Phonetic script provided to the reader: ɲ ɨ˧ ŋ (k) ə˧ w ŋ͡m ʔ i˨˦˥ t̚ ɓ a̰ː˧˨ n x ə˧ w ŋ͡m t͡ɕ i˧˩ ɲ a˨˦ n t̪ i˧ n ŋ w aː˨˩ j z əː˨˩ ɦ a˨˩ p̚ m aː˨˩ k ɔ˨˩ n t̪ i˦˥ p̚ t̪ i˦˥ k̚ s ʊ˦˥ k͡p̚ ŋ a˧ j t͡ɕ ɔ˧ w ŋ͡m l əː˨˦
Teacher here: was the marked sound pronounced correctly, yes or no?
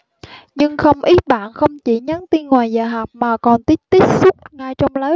no